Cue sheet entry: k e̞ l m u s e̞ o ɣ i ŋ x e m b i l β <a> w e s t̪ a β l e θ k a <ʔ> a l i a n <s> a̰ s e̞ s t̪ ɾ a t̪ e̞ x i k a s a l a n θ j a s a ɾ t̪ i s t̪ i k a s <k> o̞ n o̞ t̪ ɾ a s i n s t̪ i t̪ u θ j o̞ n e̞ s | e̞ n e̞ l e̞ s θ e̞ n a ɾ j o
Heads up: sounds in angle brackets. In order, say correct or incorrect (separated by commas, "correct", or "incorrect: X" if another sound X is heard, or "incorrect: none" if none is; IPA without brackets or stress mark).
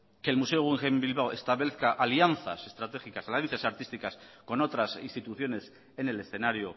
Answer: correct, correct, incorrect: θ, correct